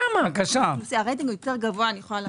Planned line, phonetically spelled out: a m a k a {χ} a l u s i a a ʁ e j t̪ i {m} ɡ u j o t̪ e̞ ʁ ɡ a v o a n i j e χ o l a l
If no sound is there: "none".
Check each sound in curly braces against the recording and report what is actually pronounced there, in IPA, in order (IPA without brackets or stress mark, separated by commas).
ʃ, ŋ